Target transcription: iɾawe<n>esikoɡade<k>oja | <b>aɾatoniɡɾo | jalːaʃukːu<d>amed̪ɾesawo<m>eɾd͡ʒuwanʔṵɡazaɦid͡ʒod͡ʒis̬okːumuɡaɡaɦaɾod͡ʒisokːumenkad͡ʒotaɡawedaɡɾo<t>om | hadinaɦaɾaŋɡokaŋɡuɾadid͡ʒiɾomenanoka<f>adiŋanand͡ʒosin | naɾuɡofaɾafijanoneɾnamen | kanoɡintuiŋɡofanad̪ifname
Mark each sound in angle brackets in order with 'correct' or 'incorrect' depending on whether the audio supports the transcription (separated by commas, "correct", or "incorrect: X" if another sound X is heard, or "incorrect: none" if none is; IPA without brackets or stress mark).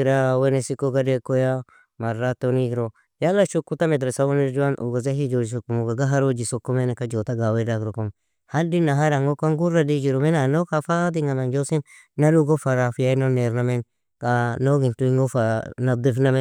correct, correct, incorrect: m, incorrect: t, incorrect: n, incorrect: k, correct